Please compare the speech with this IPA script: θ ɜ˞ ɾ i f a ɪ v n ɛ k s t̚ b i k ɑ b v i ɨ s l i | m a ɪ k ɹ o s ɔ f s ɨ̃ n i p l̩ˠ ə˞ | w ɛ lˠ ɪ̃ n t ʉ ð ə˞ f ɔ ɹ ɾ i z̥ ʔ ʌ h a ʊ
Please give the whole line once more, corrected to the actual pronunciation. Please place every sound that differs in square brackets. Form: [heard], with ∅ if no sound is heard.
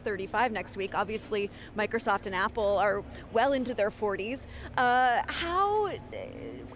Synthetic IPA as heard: θ ɜ˞ ɾ i f a ɪ v n ɛ k s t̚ [w] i k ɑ b v i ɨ s l i | m a ɪ k ɹ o s ɔ f [t] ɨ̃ n [æ] p l̩ˠ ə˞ | w ɛ lˠ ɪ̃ n t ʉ ð ə˞ f ɔ ɹ ɾ i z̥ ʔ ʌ h a ʊ